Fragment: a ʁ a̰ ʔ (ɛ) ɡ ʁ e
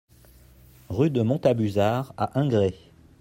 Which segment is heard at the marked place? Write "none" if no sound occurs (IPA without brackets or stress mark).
ɛ̃